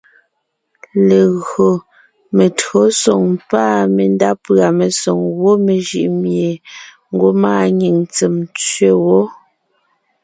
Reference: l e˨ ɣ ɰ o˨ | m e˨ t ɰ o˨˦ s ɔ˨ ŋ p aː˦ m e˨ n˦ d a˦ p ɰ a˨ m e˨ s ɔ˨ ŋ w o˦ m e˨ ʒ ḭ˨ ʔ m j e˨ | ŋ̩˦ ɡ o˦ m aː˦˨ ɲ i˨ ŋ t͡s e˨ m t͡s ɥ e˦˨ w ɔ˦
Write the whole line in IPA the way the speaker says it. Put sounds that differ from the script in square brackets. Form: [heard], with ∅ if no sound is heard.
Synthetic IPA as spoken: l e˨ ɣ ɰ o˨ | m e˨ t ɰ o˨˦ s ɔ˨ ŋ p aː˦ m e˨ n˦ d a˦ p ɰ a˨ m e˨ s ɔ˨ ŋ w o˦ m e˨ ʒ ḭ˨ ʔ m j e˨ | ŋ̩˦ ɡ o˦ m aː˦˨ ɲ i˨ ŋ t͡s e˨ m t͡s ɥ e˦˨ w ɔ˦

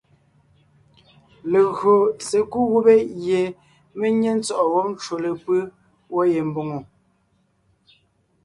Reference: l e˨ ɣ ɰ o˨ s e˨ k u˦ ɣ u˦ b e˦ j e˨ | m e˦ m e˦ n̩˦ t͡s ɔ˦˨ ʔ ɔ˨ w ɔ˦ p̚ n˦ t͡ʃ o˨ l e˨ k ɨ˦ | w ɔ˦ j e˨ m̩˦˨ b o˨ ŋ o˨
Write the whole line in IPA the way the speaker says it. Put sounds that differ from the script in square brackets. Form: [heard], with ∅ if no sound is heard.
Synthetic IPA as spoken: l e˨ ɣ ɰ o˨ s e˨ k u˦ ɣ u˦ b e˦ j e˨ | m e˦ [ɲ] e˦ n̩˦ t͡s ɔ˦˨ ʔ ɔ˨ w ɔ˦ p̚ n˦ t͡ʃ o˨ l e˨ [p] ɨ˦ | w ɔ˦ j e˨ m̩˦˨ b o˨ ŋ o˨

